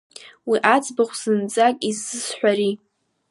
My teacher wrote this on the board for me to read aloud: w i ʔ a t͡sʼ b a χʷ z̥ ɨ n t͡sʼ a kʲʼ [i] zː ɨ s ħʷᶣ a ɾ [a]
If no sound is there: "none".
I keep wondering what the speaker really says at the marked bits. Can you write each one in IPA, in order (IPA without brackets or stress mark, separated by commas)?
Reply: i, i